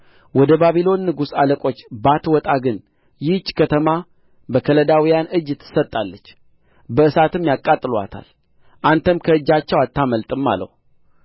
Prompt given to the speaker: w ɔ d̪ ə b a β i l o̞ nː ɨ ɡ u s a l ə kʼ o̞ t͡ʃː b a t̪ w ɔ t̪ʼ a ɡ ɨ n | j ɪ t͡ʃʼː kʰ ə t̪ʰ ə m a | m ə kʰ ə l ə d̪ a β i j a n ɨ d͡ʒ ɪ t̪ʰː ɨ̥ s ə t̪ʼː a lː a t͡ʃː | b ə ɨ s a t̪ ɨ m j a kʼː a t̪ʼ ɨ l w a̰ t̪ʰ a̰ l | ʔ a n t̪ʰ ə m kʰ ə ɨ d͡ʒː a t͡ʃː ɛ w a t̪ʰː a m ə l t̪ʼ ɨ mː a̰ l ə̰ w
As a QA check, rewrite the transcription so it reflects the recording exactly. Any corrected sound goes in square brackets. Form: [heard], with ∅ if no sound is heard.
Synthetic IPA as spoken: w ɔ d̪ ə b a β i l o̞ nː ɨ ɡ u s a l ə kʼ o̞ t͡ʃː b a t̪ w ɔ t̪ʼ a ɡ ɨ n | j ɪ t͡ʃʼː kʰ ə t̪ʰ ə m a | [b] ə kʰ ə l ə d̪ a [w] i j a n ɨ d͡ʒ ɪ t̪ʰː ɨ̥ s ə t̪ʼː a lː [ə] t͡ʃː | b ə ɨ s a t̪ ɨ m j a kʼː a t̪ʼ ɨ l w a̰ t̪ʰ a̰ l | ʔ a n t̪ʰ ə m kʰ ə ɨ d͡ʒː a t͡ʃː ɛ w a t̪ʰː a m ə l t̪ʼ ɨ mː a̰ l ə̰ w